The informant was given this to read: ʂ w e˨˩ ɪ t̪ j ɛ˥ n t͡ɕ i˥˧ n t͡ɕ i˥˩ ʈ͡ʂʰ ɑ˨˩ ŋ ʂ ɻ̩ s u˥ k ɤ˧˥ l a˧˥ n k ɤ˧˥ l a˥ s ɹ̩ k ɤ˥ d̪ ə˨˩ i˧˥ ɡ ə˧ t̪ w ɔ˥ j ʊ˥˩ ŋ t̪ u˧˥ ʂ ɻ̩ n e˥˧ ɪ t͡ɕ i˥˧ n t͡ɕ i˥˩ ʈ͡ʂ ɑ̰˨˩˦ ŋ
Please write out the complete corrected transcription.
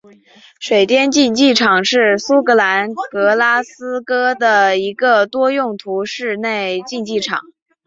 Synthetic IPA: ʂ w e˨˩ ɪ t̪ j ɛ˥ n t͡ɕ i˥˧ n t͡ɕ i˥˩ ʈ͡ʂʰ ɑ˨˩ ŋ ʂ ɻ̩ s u˥ k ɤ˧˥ l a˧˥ n k ɤ˧˥ l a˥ s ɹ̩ k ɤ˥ d̪ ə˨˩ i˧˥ ɡ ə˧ t̪ w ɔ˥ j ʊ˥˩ ŋ t̪ʰ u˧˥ ʂ ɻ̩ n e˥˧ ɪ t͡ɕ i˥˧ n t͡ɕ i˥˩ ʈ͡ʂʰ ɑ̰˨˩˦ ŋ